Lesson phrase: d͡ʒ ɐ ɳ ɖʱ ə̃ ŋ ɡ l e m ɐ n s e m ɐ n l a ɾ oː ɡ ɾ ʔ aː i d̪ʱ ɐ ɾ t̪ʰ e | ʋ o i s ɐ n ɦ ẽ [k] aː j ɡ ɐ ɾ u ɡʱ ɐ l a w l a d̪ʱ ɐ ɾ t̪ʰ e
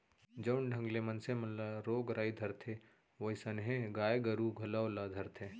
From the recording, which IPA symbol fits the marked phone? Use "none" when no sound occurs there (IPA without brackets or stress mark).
ɡ